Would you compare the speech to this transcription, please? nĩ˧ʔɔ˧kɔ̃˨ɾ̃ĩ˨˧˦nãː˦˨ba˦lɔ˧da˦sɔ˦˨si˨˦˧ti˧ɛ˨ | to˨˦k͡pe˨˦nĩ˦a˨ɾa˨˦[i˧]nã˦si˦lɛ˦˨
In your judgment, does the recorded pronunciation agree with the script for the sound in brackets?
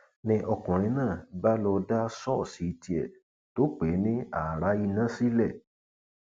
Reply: yes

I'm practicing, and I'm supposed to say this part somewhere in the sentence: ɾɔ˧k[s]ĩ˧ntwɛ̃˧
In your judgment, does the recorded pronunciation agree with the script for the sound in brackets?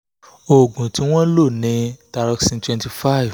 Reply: yes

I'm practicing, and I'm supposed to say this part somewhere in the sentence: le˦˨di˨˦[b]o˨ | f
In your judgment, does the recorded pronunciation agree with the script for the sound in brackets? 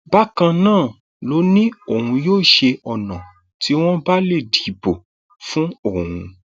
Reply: yes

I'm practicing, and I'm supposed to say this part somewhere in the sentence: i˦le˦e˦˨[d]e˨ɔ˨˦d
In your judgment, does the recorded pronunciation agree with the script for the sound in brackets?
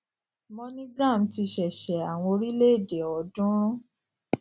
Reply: yes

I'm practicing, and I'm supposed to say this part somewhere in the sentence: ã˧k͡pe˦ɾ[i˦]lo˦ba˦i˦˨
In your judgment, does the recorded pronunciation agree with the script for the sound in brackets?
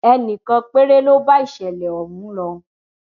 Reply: no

